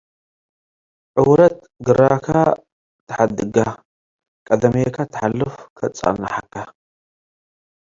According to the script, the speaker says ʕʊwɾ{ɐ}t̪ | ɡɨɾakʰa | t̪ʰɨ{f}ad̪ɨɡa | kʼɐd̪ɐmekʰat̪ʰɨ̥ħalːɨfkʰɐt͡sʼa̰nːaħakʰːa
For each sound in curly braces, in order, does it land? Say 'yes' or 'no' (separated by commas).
yes, no